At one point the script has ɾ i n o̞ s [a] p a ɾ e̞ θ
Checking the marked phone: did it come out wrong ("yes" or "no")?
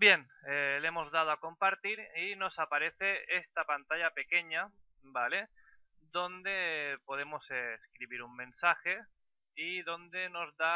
no